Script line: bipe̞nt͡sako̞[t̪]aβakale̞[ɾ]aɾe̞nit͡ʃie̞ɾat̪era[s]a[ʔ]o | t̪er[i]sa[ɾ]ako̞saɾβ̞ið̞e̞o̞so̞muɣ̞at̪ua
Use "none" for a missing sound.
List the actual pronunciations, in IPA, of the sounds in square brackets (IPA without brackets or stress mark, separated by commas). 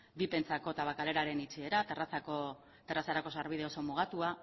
t̪, ɾ, s, k, a, ɾ